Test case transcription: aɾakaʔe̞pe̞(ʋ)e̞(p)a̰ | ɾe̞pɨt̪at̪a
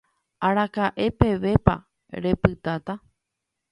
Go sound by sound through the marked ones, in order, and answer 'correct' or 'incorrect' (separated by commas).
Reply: correct, correct